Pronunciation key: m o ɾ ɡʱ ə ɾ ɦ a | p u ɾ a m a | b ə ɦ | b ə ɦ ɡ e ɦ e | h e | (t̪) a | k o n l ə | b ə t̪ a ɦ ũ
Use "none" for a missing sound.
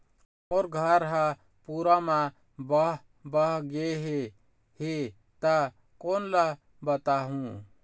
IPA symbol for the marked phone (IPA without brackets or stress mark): t̪